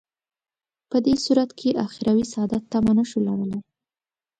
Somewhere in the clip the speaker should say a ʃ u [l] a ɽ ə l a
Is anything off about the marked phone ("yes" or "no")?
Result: no